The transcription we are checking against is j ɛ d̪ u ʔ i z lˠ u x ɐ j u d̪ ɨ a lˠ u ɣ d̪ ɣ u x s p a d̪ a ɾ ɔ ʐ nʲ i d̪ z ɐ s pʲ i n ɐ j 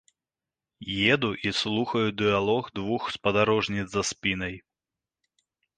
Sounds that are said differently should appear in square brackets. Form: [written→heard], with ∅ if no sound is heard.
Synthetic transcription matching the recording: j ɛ d̪ u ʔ i [z→s] lˠ u x ɐ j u d̪ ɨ a lˠ [u→ɔ] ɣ d̪ [ɣ→v] u x s p [a→ɐ] d̪ a ɾ ɔ ʐ nʲ i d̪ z ɐ s pʲ i n ɐ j